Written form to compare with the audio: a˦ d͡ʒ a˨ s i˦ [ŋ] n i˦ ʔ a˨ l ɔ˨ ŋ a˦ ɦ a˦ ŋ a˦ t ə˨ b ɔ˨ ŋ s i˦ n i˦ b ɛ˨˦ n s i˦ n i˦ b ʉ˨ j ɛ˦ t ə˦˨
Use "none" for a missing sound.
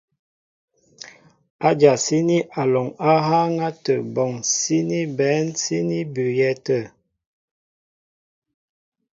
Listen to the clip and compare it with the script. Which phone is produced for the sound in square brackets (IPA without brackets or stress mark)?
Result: none